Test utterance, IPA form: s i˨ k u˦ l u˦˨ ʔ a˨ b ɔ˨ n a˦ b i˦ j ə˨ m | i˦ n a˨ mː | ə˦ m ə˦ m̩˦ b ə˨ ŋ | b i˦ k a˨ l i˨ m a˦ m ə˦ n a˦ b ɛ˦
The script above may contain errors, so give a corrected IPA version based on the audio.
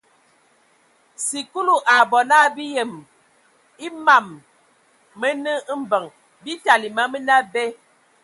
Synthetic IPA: s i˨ k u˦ l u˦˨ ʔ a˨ b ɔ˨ n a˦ b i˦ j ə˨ m | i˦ m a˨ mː | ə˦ n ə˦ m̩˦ b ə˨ ŋ | b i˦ t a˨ l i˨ m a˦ m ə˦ n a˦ b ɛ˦